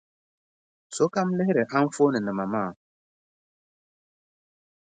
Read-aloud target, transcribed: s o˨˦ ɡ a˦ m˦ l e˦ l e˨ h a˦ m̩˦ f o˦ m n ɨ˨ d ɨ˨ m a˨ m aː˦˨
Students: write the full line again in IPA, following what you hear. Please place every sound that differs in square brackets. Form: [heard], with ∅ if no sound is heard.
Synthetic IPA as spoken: s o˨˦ [k] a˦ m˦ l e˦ [ɾ] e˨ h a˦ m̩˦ f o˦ [∅] n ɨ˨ [n] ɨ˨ m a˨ m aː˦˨